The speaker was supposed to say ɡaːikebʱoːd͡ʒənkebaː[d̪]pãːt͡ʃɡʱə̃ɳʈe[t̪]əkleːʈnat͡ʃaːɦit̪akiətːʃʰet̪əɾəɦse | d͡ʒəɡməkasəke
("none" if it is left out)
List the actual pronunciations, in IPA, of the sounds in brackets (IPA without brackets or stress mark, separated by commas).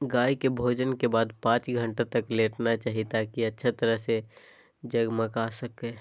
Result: d̪, t̪